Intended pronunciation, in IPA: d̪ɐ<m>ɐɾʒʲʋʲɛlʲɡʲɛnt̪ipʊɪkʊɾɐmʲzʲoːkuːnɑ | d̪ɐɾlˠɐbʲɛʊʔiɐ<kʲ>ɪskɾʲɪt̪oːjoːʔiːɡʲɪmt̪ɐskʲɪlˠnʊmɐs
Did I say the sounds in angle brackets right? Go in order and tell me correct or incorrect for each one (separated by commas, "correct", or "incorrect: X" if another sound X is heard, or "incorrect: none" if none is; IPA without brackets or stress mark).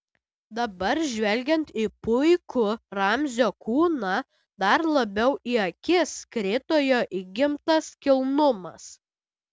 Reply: incorrect: b, correct